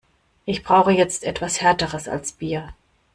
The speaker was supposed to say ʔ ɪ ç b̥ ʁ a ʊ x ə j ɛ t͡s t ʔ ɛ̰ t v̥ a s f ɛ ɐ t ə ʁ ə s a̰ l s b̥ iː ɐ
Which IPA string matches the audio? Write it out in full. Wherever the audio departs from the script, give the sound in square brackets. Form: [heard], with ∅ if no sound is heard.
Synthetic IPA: ʔ ɪ ç b̥ ʁ a ʊ x ə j ɛ t͡s t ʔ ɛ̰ t v̥ a s [h] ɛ ɐ t ə ʁ ə s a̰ l s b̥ iː ɐ